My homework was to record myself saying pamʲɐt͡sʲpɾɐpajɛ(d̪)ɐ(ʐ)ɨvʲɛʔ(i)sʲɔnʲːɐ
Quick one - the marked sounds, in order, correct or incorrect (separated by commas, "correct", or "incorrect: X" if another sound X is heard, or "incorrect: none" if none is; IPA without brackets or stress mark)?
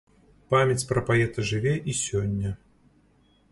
incorrect: t̪, correct, correct